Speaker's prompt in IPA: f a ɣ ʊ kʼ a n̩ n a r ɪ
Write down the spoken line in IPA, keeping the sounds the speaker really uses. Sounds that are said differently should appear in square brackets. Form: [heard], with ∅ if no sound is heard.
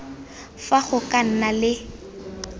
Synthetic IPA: f a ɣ ʊ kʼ a n̩ n a [l] ɪ